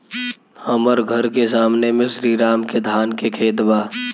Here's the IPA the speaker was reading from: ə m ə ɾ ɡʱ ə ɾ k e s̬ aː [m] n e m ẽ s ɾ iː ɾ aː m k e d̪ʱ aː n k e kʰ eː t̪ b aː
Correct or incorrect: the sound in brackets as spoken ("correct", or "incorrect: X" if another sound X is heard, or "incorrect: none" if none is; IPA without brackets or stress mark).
correct